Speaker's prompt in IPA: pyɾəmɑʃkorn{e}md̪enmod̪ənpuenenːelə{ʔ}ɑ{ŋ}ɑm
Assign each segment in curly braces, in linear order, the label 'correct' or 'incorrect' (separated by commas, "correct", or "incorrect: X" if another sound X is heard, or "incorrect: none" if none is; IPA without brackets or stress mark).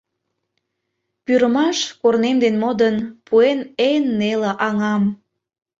correct, correct, correct